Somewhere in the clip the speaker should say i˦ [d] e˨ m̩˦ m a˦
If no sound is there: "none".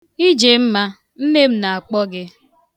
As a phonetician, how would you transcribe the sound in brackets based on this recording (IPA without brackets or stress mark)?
d͡ʒ